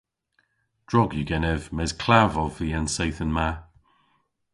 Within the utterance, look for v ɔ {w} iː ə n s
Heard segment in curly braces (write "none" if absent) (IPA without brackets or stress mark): v